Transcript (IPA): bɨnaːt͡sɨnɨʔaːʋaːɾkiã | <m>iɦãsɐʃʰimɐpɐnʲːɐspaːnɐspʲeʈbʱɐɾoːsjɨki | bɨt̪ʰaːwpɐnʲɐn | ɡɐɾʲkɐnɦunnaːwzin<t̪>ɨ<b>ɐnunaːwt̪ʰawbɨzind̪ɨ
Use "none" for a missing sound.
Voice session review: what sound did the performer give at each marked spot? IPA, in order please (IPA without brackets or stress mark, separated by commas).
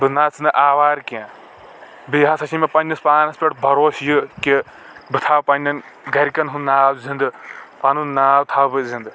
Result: b, d̪, p